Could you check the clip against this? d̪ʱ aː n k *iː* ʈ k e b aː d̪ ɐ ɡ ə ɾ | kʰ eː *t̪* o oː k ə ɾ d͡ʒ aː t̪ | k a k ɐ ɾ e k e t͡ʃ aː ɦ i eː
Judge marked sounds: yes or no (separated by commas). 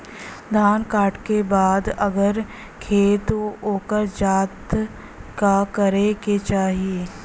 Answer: no, yes